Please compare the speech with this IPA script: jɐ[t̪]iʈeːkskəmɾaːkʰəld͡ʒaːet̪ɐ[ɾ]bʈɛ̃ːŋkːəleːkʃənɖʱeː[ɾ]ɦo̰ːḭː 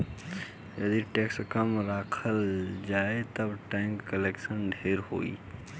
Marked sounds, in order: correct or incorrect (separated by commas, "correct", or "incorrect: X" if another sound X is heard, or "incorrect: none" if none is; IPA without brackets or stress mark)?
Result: incorrect: d̪, incorrect: none, correct